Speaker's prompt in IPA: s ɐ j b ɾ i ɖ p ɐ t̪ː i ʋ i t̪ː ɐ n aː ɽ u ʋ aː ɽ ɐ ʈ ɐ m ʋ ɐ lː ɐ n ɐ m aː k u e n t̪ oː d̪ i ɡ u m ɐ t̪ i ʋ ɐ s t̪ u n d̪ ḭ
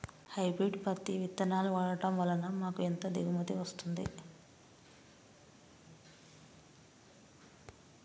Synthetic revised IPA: h ɐ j b ɾ i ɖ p ɐ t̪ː i ʋ i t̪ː ɐ n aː l u ʋ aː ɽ ɐ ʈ ɐ m ʋ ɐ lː ɐ n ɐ m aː k u e n t̪ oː d̪ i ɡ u m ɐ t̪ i ʋ ɐ s t̪ u n d̪ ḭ